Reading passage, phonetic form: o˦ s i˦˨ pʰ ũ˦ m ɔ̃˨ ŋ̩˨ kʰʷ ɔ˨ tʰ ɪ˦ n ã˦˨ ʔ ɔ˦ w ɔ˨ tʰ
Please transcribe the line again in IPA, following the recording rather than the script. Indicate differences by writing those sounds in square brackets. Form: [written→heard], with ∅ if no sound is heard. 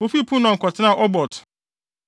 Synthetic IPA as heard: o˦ [s→f] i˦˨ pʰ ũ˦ [m→n] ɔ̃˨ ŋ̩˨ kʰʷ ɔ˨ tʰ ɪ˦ n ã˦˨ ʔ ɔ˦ [w→b] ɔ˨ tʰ